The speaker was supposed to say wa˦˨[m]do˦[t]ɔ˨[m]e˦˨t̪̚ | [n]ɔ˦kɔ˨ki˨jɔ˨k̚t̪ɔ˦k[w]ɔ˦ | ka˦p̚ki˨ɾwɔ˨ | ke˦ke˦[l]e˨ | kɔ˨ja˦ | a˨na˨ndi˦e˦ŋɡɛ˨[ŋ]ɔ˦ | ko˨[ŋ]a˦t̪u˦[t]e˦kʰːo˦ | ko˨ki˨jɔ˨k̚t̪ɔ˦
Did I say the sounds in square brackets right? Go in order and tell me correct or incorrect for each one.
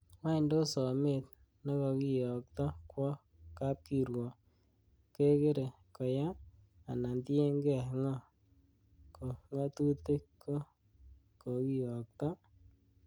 incorrect: n, incorrect: s, correct, correct, correct, incorrect: ɾ, correct, correct, correct

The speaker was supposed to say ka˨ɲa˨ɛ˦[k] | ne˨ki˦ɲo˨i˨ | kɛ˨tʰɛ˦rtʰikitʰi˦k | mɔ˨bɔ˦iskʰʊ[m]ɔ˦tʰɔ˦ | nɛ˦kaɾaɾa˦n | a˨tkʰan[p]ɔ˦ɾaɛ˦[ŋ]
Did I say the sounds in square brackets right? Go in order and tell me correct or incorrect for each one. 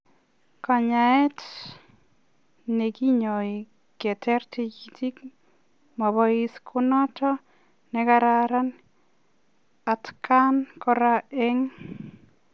incorrect: t, incorrect: n, incorrect: k, correct

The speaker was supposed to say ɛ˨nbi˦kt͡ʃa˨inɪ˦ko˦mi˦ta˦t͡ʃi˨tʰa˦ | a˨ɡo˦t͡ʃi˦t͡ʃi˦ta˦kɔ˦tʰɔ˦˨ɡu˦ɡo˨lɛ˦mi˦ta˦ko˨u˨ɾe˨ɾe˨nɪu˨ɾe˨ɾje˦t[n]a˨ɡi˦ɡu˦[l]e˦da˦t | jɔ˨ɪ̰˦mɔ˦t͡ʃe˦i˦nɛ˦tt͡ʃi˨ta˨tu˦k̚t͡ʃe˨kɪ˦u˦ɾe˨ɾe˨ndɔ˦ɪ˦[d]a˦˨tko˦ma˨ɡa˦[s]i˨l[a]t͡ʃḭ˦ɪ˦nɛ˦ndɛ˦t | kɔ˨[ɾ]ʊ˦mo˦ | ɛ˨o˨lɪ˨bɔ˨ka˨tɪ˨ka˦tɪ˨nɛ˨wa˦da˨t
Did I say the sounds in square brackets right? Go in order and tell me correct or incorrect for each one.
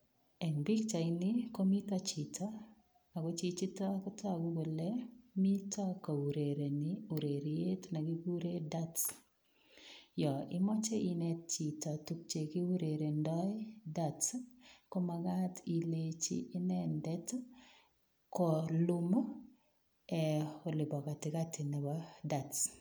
correct, incorrect: ɾ, correct, incorrect: t, incorrect: e, incorrect: l

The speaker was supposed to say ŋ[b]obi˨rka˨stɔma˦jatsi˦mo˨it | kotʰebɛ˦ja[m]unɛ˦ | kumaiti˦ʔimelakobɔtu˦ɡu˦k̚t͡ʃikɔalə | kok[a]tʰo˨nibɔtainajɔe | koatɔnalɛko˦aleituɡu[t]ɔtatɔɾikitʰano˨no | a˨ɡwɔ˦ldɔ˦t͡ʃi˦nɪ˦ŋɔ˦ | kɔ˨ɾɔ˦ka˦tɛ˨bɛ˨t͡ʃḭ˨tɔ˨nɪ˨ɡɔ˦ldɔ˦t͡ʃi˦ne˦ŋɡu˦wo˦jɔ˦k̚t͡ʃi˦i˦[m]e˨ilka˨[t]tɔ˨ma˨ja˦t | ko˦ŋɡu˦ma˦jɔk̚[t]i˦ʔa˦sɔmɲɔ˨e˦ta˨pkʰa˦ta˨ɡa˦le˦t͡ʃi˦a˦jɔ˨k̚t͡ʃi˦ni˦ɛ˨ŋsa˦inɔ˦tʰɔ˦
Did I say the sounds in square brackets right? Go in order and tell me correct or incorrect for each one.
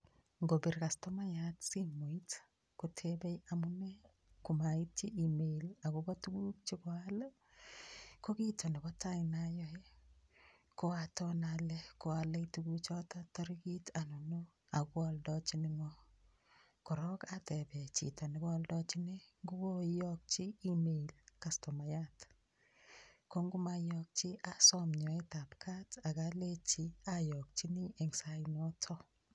incorrect: ɡ, correct, incorrect: i, incorrect: t͡ʃ, correct, incorrect: s, incorrect: t͡ʃ

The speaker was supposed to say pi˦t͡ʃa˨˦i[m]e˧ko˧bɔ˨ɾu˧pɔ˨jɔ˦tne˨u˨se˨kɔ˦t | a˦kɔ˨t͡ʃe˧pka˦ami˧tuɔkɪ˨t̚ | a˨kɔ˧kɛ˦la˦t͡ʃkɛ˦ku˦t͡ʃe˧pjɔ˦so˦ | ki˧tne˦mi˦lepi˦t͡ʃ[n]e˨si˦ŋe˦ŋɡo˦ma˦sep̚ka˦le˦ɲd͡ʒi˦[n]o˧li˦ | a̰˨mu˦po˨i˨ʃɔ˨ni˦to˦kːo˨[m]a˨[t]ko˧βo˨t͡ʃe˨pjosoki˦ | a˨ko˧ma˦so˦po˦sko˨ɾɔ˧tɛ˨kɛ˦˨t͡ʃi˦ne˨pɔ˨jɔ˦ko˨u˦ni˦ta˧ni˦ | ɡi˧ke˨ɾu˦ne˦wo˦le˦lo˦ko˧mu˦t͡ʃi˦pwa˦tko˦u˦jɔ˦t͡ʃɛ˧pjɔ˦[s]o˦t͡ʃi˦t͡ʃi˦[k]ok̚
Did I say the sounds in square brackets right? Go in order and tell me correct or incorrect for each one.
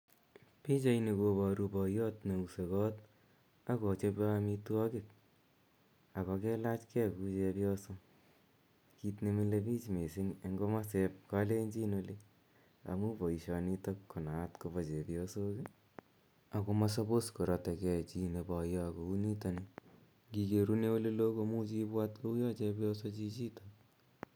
incorrect: n, incorrect: m, correct, incorrect: n, correct, correct, incorrect: t

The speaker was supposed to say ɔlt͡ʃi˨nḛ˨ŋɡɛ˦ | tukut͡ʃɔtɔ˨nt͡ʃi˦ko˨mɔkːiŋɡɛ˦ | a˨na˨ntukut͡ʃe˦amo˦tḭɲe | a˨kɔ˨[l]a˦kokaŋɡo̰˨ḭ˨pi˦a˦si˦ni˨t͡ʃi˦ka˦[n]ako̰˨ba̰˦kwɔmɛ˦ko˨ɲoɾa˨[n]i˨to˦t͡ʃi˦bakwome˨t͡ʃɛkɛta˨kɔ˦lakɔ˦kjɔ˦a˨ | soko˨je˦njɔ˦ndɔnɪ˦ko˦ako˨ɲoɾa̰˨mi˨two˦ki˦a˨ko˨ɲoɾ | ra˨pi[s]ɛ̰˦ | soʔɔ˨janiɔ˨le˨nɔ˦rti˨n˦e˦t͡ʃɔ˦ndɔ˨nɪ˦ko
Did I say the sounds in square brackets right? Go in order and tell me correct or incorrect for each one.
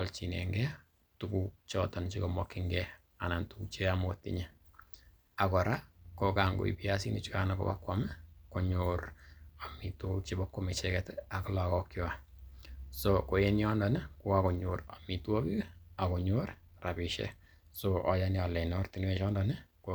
incorrect: ɾ, correct, incorrect: m, incorrect: ʃ

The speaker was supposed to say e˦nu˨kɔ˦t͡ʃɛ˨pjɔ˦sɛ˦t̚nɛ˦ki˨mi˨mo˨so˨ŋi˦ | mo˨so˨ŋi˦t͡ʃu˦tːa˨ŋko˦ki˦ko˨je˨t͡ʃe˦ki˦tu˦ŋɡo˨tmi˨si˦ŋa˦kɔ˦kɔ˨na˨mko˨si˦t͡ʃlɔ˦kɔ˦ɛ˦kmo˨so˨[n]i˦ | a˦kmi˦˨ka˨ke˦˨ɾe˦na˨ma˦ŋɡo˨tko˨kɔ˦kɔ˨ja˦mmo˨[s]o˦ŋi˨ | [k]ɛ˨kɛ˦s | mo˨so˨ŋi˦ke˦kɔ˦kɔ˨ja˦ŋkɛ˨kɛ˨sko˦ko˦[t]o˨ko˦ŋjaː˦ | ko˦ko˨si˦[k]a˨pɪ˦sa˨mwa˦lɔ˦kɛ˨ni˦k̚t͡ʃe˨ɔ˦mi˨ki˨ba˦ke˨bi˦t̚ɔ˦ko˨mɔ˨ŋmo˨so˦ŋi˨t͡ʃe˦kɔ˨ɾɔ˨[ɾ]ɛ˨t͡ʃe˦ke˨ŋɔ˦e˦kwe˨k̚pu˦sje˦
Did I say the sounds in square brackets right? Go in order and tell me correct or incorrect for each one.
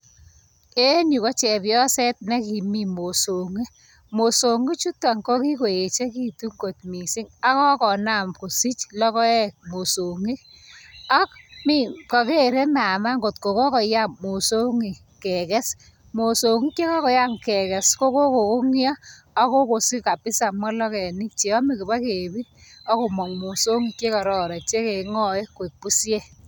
incorrect: ŋ, correct, correct, incorrect: k, correct, correct

